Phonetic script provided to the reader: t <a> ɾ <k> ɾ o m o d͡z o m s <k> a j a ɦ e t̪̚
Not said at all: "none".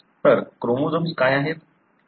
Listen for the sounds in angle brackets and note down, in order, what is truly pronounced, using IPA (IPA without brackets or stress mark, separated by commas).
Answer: ə, k, k